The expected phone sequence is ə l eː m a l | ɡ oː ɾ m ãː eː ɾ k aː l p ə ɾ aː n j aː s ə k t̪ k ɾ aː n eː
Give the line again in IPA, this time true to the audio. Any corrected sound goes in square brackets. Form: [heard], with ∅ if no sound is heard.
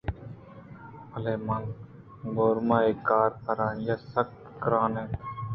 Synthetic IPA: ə l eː m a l | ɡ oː ɾ m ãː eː [∅] k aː [ɾ] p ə ɾ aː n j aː s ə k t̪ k ɾ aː n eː